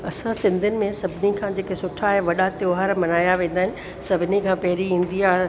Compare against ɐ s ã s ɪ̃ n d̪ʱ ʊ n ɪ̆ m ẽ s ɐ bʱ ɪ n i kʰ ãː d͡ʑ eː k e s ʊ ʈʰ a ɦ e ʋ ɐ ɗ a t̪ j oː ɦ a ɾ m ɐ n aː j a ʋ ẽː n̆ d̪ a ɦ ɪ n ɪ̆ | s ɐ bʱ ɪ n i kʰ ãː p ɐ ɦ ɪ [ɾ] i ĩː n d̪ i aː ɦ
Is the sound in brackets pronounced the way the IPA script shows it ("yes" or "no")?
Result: yes